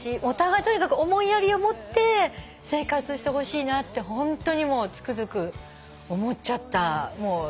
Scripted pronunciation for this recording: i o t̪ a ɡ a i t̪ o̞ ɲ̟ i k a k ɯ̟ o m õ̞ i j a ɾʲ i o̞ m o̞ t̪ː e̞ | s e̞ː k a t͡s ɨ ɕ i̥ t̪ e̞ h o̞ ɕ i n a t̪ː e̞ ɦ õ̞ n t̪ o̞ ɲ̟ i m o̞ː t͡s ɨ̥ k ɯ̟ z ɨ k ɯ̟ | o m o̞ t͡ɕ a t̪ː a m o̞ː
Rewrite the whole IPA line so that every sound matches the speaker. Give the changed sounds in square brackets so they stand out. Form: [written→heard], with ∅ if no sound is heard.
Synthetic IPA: i o t̪ a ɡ a i t̪ o̞ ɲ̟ i k a k ɯ̟ o m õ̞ i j a ɾʲ i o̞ m o̞ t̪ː e̞ | s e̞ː k a t͡s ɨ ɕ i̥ t̪ e̞ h o̞ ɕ [i→iː] n a t̪ː e̞ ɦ õ̞ n t̪ o̞ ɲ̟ i m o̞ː t͡s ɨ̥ k ɯ̟ z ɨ k ɯ̟ | o m o̞ t͡ɕ a t̪ː a m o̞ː